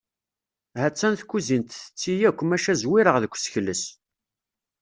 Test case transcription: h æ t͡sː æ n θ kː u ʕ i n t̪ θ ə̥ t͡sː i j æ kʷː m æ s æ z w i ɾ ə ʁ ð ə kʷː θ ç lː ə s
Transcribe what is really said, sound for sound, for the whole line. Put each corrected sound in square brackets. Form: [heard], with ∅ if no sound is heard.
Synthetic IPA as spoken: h æ t͡sː æ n θ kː u [z] i n t̪ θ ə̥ t͡sː i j æ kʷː m æ [ʃ] æ z w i ɾ ə ʁ ð ə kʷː [s] ç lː ə s